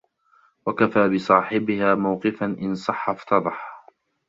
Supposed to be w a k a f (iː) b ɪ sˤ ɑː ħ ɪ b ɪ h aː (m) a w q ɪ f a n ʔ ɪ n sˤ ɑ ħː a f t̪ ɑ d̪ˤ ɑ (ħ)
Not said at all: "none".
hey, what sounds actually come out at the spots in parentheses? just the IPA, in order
aː, m, ħ

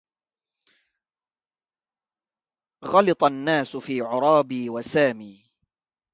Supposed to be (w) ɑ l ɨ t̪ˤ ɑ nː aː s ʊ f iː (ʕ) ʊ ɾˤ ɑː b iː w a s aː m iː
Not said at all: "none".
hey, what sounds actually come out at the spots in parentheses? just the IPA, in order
ɣ, ʕ

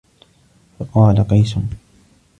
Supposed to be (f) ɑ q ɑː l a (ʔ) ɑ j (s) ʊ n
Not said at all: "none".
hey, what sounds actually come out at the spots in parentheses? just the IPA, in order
f, q, s

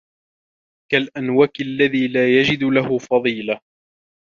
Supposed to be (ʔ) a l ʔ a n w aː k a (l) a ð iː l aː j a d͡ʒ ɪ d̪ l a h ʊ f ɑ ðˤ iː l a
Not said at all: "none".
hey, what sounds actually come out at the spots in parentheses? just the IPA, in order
k, lː

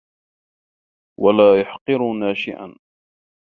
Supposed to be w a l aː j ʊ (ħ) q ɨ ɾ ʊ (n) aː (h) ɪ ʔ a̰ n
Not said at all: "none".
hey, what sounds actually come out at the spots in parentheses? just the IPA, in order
ħ, n, ʃ

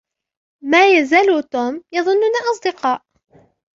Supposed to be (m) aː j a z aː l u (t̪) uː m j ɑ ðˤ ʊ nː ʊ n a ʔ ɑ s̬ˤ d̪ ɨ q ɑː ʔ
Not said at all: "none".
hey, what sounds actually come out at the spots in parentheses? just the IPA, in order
m, t̪

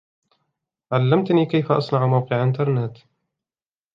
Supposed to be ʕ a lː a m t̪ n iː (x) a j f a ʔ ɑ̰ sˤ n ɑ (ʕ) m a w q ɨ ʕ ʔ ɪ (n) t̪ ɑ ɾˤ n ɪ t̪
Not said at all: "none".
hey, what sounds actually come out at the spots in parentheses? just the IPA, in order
k, ʕ, n

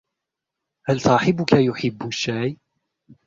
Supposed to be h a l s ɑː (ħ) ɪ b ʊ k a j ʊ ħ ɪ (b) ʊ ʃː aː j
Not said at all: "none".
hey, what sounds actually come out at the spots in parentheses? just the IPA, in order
ħ, bː

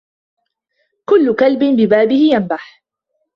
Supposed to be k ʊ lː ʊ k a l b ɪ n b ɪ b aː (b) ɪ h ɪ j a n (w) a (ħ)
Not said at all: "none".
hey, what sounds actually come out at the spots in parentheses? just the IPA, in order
b, b, ħ

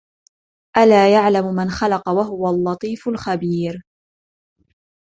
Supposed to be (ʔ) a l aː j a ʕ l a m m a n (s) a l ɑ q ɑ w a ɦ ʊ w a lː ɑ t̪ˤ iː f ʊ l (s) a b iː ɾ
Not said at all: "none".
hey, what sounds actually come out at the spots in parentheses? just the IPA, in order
ʔ, x, x

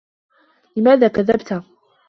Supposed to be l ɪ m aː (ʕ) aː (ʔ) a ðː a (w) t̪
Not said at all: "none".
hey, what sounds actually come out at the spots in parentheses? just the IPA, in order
ð, k, b

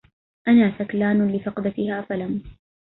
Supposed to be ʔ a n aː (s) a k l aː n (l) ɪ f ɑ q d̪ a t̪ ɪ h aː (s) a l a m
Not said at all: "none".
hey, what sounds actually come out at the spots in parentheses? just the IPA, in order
s, l, f

